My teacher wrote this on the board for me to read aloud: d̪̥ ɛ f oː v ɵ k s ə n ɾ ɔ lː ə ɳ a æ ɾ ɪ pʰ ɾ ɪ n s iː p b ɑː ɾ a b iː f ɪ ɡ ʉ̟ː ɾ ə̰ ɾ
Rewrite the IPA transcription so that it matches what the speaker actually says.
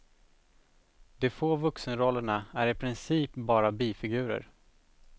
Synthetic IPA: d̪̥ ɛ f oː v ɵ k s ə n ɾ ɔ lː ə ɳ a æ ɾ ɪ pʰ ɾ ɪ n s iː p b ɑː ɾ a b iː f ɪ ɡ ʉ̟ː ɾ ə̰ ɾ